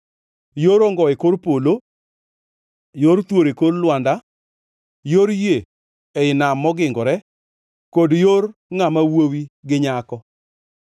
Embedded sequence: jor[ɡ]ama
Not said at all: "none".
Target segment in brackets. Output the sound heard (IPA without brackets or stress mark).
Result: ŋ